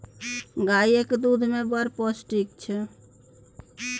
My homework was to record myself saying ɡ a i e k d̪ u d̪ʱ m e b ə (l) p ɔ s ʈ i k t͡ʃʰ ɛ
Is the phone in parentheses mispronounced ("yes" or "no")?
yes